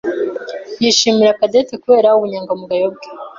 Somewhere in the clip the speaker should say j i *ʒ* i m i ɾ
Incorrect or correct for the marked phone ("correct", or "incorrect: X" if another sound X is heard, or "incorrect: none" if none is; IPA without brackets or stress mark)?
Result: incorrect: ʃ